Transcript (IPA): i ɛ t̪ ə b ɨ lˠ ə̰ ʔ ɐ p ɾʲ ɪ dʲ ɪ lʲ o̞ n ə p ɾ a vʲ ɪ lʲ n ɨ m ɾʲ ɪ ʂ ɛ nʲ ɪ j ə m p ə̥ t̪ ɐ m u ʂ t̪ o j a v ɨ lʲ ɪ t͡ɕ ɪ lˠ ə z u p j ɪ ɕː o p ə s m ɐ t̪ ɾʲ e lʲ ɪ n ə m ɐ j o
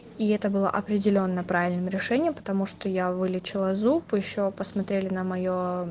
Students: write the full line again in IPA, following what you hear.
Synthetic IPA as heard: i ɛ t̪ ə b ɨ lˠ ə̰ ʔ ɐ p ɾʲ ɪ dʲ ɪ lʲ o̞ nː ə p ɾ a vʲ ɪ lʲ n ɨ m ɾʲ ɪ ʂ ɛ nʲ ɪ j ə m p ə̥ t̪ ɐ m u ʂ t̪ o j a v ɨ lʲ ɪ t͡ɕ ɪ lˠ ə z u p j ɪ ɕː o p ə s m ɐ t̪ ɾʲ e lʲ ɪ n ə m ɐ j o

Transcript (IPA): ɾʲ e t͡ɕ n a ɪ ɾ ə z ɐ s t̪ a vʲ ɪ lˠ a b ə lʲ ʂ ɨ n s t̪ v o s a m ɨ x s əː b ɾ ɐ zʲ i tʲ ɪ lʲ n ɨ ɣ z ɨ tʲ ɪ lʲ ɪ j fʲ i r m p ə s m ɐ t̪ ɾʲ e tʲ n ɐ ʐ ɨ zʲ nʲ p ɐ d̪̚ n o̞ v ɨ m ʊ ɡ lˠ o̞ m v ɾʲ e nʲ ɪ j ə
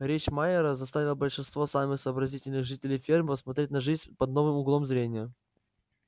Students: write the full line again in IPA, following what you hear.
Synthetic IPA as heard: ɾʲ e t͡ɕ m a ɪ ɾ ə z ɐ s t̪ a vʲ ɪ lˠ ə b ə lʲ ʂ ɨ n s t̪ v o s a m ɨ x s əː b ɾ ɐ zʲ i tʲ ɪ lʲ n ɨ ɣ ʐ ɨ tʲ ɪ lʲ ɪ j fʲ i r m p ə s m ɐ t̪ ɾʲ e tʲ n ɐ ʐ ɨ zʲ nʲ p ɐ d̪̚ n o̞ v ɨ m ʊ ɡ lˠ o̞ m z ɾʲ e nʲ ɪ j ə

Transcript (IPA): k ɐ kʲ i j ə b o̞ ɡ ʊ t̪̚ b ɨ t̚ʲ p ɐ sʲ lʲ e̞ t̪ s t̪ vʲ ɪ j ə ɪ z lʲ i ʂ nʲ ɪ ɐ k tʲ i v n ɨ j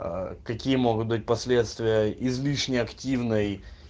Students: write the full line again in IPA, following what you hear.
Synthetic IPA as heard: k ɐ kʲ i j ə m o̞ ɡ ʊ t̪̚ b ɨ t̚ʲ p ɐ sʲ lʲ e̞ t̪ s t̪ vʲ ɪ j ə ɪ z lʲ i ʂ nʲ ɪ ɐ k tʲ i v n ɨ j

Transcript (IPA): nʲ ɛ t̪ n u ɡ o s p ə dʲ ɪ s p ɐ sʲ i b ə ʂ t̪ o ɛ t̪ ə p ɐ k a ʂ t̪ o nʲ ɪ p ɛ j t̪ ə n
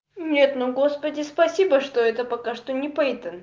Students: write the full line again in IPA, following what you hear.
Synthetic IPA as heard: nʲ e t̪ n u ɡ o s p ə dʲ ɪ s p ɐ sʲ i b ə ʂ t̪ o ɛ t̪ ə p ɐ k a ʂ t̪ o nʲ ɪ p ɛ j t̪ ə n

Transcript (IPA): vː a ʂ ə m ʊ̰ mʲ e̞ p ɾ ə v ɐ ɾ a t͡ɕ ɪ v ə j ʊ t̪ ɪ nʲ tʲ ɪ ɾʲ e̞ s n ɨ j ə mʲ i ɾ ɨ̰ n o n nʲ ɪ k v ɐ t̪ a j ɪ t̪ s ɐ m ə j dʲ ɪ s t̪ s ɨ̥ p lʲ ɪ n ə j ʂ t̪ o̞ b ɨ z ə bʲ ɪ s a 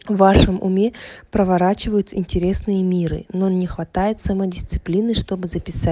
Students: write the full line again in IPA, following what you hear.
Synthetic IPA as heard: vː a ʂ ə m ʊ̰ mʲ e̞ p ɾ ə v ɐ ɾ a t͡ɕ ɪ v ə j ʊ t̪ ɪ nʲ tʲ ɪ ɾʲ e̞ s n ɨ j ə mʲ i ɾ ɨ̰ n o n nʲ ɪ x v ɐ t̪ a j ɪ t̪ s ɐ m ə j dʲ ɪ s t̪ s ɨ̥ p lʲ i n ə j ʂ t̪ o̞ b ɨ z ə pʲ ɪ s a

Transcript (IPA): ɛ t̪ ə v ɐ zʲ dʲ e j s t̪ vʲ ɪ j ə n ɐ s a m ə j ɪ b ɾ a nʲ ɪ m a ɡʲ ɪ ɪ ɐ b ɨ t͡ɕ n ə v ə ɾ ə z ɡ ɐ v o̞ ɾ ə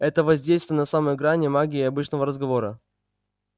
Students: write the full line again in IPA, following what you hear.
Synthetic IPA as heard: ɛ t̪ ə v ɐ zʲ dʲ e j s t̪ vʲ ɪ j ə n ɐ s a m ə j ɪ ɡ ɾ a nʲ ɪ m a ɡʲ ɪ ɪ ɐ b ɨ t͡ɕ n ə v ə ɾ ə z ɡ ɐ v o̞ ɾ ə

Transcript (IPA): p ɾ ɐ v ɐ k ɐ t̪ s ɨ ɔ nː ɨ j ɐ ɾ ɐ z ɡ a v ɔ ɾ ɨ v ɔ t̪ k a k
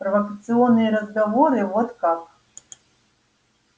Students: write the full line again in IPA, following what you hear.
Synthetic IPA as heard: p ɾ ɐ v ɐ k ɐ t̪ s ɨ ɔ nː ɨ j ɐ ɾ ɐ z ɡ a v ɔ ɾ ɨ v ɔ t̪ k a k

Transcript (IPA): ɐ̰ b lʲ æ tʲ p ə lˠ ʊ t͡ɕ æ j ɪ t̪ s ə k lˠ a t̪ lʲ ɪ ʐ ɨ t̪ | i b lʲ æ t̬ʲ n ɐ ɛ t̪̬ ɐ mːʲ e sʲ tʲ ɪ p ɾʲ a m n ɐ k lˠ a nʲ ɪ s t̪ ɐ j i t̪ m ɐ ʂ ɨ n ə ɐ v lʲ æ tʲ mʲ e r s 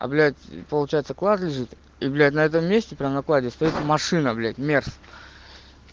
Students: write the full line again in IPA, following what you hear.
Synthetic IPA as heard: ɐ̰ b lʲ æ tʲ p ə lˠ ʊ t͡ɕ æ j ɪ t̪ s ə k lˠ a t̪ lʲ ɪ ʐ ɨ t̪ | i b lʲ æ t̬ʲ n ɐ ɛ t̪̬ ə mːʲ e sʲ tʲ ɪ p ɾʲ a m n ɐ k lˠ a dʲ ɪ s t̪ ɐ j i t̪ m ɐ ʂ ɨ n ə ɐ b lʲ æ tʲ mʲ e r s

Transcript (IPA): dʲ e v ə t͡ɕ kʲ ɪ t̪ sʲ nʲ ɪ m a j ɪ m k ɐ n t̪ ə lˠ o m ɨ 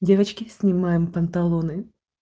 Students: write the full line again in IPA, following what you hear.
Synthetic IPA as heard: dʲ e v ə t͡ɕ kʲ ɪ sʲ nʲ ɪ m a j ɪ m p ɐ n t̪ ɐ lˠ o n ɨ

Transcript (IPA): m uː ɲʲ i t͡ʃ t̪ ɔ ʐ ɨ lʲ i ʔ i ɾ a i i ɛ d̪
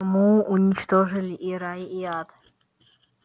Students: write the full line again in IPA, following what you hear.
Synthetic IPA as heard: m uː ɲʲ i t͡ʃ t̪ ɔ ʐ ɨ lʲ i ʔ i ɾ a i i a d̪

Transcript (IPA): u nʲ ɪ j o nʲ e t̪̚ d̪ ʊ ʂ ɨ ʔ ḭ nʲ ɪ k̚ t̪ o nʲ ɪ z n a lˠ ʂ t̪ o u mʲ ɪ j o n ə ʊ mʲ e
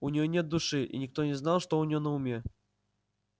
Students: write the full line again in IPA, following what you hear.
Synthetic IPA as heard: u nʲ ɪ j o nʲ e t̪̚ d̪ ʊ ʂ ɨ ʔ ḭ nʲ ɪ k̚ t̪ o nʲ ɪ z n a lˠ ʂ t̪ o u nʲ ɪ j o n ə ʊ mʲ e

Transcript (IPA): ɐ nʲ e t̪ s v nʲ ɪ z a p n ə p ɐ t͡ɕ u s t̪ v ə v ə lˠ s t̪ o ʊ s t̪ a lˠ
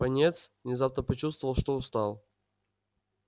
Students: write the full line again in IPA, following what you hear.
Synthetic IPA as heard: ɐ nʲ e t̪ s v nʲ ɪ z a p n ə p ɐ t͡ɕ u s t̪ v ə v ə lˠ ʂ t̪ o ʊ s t̪ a lˠ

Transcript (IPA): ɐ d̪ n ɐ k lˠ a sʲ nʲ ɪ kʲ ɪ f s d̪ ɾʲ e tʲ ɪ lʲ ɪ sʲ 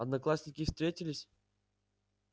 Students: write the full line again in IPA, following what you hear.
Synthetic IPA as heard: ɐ d̪ n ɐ k lˠ a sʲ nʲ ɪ kʲ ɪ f s t̪ ɾʲ e tʲ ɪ lʲ ɪ sʲ

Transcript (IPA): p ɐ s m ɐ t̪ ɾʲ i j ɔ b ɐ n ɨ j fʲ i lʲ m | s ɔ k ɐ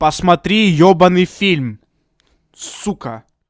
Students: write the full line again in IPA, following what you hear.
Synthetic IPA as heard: p ɐ s m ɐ t̪ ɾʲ i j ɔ b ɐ n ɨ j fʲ i lʲ m | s u k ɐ

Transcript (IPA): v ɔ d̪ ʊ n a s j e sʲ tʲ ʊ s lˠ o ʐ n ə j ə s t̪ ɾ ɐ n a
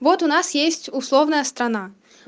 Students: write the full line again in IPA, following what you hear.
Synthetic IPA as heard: v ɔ t̪ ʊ n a s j e sʲ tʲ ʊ s lˠ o v n ə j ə s t̪ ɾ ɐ n a

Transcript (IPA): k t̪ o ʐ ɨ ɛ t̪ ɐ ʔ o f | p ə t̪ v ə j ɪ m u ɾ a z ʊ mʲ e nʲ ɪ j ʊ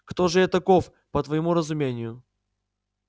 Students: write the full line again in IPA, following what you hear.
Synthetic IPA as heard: k t̪ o ʐ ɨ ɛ t̪ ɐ k o f | p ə t̪ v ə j ɪ m u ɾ ə z ʊ mʲ e nʲ ɪ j ʊ

